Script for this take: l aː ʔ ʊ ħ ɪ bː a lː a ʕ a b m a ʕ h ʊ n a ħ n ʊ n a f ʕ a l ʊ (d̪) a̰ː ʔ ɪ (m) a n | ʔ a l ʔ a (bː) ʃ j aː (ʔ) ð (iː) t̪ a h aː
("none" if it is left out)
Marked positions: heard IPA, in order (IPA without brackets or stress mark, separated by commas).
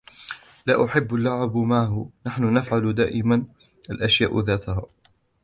d̪, m, none, ʔ, aː